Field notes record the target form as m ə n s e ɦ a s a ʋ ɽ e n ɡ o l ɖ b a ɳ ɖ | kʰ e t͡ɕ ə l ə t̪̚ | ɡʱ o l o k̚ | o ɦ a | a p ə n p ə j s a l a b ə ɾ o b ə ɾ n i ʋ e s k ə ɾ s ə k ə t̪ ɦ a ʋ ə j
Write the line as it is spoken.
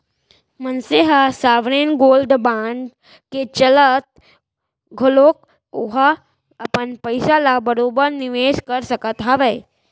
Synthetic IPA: m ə n s e ɦ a s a ʋ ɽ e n ɡ o l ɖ b a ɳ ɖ | k e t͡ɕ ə l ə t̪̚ | ɡʱ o l o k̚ | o ɦ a | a p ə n p ə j s a l a b ə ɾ o b ə ɾ n i ʋ e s k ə ɾ s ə k ə t̪ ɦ a ʋ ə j